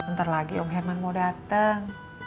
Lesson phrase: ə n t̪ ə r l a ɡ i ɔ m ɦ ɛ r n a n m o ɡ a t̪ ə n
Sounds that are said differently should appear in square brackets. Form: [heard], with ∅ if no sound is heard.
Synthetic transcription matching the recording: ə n t̪ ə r l a ɡ i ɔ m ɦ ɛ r [m] a n m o [d] a t̪ ə [ŋ]